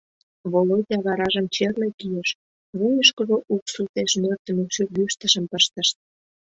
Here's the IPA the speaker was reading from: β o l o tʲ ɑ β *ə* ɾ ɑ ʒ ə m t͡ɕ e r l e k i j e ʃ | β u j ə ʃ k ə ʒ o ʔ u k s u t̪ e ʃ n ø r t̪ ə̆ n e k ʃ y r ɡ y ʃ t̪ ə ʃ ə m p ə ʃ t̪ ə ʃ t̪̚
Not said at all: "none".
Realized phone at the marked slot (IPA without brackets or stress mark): ɑ